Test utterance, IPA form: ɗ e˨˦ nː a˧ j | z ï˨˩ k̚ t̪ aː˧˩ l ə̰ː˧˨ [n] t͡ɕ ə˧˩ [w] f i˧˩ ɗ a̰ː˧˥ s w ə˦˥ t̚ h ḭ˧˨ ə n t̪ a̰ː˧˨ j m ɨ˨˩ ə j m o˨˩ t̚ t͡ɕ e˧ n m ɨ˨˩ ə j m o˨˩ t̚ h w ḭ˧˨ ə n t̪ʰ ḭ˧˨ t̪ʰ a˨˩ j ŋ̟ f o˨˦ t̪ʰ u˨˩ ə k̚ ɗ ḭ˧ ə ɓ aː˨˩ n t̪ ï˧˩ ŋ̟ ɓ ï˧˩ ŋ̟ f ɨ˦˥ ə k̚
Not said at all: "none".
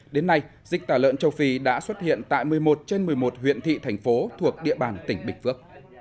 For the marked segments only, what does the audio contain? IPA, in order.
n, w

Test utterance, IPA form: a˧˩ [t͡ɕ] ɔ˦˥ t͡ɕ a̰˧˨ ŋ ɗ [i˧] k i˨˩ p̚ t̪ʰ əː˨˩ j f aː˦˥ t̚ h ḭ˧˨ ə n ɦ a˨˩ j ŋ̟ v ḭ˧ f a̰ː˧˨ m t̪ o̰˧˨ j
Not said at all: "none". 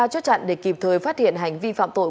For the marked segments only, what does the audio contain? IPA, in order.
t͡ɕ, e˧

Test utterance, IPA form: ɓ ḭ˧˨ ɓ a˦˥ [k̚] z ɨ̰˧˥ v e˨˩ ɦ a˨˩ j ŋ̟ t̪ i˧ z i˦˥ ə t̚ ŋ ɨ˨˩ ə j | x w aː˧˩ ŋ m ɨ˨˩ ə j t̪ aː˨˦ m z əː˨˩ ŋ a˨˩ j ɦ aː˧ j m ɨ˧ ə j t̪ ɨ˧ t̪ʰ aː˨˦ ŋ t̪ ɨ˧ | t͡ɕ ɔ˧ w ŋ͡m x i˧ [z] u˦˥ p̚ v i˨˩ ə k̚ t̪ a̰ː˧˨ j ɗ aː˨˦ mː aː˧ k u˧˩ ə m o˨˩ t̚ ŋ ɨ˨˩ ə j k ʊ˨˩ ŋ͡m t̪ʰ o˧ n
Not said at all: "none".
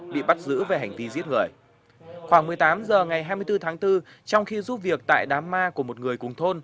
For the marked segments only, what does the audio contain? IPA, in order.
t̚, z

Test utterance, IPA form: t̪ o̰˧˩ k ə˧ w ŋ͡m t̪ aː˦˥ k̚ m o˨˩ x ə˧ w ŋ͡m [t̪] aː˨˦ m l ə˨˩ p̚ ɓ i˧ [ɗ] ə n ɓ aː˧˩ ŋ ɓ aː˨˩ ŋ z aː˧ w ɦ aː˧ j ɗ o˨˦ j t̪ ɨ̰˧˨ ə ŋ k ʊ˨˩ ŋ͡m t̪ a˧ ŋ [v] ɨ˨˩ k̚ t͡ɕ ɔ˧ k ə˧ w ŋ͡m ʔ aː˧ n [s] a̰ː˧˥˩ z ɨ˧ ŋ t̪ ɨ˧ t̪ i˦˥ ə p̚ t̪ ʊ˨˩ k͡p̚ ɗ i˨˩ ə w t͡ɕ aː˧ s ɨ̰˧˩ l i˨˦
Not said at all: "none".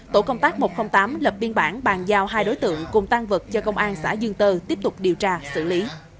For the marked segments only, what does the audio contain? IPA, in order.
t̪, none, v, s

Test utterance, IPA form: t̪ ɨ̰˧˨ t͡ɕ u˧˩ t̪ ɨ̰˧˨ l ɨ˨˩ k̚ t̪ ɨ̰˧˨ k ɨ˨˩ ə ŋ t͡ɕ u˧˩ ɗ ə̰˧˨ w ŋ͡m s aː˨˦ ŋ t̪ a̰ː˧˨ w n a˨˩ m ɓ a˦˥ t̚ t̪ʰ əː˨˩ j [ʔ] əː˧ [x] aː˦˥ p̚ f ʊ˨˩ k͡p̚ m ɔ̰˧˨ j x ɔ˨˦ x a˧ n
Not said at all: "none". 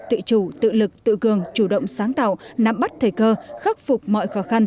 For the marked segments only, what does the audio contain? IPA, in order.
k, x

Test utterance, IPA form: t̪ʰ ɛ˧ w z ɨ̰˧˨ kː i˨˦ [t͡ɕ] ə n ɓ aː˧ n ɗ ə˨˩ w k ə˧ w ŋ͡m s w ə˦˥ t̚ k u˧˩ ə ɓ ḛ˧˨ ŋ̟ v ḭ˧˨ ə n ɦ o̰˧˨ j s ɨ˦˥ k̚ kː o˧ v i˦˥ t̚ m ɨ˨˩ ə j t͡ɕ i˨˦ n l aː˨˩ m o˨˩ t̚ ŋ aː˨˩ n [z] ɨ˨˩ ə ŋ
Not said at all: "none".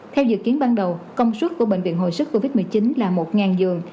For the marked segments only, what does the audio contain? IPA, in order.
none, z

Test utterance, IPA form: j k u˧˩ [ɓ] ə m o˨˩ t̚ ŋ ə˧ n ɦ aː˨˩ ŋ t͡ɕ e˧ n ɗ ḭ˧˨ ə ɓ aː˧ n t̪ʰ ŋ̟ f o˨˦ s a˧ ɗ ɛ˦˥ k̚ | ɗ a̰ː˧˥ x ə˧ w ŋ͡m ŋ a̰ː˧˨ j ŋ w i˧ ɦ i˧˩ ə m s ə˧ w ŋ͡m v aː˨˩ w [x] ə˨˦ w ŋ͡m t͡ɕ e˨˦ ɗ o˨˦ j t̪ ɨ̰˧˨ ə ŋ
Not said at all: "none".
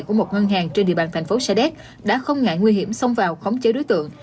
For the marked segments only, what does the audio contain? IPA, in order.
none, x

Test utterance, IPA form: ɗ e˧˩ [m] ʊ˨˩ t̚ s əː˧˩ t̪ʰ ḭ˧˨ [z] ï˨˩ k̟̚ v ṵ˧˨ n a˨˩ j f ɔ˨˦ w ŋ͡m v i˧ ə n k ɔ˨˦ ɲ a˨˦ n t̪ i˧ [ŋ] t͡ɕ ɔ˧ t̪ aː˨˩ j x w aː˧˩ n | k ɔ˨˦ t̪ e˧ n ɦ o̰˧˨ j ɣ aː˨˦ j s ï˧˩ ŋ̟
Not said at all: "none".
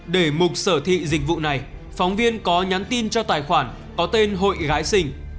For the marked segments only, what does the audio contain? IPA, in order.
m, z, n

